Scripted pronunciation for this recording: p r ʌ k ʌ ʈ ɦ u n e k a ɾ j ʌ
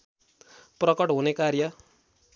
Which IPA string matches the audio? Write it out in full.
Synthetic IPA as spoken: p r ʌ k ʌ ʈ ɦ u n e k a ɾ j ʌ